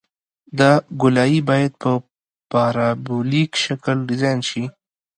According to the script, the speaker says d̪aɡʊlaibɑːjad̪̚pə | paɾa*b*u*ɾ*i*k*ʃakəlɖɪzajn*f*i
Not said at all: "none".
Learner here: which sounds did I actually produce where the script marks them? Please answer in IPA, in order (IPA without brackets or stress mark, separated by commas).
b, l, k, ʃ